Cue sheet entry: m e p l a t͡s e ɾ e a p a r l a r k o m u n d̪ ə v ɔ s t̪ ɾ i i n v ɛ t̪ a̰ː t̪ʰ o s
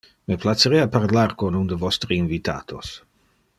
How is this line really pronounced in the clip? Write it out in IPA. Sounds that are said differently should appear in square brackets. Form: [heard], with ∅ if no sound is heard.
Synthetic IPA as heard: m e p l a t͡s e ɾ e a p a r l a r k o [n] u n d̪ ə v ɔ s t̪ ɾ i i n v [i] t̪ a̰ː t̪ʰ o s